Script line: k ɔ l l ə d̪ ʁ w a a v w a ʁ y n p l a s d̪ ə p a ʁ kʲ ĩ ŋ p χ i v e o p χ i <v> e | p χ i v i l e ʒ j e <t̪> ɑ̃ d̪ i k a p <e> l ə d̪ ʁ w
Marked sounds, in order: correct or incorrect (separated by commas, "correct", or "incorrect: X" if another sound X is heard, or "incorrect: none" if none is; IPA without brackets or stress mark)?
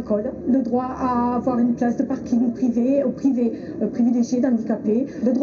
correct, incorrect: d̪, correct